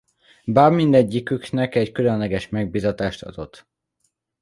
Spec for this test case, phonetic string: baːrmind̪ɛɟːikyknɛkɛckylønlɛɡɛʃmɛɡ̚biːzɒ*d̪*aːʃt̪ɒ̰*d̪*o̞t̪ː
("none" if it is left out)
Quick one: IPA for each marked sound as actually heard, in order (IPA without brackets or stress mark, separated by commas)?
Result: t̪, d̪